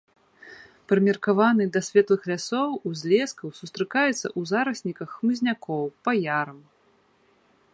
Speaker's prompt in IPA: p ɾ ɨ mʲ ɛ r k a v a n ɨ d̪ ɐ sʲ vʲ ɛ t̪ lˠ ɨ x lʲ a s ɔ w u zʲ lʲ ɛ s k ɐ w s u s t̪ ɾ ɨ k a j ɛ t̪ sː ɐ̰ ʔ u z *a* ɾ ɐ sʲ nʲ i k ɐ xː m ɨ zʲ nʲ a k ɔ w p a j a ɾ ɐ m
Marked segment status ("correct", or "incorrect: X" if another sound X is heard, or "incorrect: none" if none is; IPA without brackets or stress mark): correct